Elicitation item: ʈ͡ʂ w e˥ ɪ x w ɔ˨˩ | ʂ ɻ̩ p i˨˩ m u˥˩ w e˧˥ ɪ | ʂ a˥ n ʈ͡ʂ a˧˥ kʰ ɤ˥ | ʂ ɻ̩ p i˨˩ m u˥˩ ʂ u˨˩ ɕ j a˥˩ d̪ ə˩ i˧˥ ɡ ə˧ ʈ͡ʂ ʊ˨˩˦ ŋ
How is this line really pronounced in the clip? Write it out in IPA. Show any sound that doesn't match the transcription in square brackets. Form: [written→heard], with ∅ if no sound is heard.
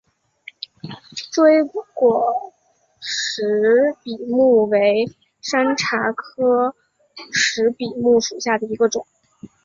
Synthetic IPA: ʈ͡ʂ w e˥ ɪ [x→k] w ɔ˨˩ | ʂ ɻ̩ p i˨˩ m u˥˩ w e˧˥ ɪ | ʂ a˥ n [ʈ͡ʂ→ʈ͡ʂʰ] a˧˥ kʰ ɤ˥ | ʂ ɻ̩ p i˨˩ m u˥˩ ʂ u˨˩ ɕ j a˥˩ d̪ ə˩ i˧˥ ɡ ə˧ ʈ͡ʂ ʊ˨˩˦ ŋ